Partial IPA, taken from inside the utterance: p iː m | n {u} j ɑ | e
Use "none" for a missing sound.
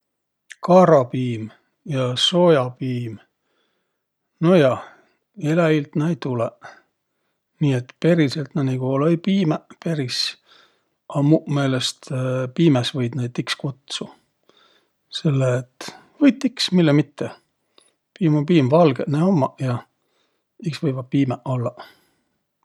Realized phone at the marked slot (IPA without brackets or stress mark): o